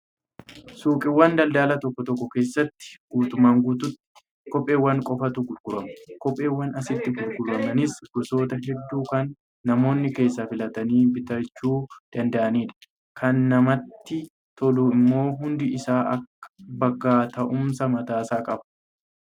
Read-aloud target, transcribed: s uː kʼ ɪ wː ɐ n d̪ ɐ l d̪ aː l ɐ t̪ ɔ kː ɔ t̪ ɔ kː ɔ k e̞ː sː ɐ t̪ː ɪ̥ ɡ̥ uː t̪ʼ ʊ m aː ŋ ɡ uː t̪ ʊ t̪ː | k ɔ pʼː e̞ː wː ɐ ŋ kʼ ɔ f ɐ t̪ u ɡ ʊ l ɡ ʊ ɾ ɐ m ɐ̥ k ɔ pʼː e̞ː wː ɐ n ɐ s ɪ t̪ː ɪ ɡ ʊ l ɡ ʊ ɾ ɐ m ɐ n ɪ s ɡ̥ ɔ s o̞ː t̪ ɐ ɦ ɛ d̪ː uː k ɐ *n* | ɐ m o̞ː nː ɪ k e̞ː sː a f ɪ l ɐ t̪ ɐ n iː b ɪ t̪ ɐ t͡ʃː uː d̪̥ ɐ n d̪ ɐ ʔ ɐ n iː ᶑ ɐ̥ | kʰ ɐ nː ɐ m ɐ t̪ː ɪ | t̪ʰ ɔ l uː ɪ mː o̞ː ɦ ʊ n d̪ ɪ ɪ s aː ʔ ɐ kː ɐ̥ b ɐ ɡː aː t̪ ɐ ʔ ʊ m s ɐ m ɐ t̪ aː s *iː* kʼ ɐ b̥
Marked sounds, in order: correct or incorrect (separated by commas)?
incorrect, incorrect